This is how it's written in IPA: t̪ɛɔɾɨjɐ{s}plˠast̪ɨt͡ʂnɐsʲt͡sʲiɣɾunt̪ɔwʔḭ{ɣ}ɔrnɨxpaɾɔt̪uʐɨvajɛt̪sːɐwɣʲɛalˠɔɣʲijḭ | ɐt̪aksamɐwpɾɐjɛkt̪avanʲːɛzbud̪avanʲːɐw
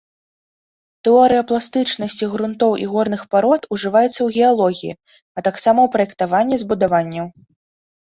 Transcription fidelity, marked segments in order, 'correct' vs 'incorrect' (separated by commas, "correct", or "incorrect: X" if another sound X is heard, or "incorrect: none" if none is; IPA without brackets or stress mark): incorrect: none, correct